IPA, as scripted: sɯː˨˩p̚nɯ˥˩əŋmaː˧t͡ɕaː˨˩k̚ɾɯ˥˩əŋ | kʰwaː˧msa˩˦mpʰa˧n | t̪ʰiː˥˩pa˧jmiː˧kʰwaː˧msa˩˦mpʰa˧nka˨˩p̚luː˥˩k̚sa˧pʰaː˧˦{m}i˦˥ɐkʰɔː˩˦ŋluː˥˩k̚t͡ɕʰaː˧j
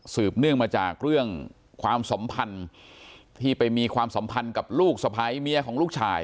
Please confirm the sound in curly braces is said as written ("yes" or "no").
yes